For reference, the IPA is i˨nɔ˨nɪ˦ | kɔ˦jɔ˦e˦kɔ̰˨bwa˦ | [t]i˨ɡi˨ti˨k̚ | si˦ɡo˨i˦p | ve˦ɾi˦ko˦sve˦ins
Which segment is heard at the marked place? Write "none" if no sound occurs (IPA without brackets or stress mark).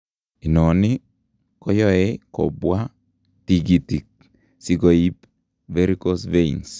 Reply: t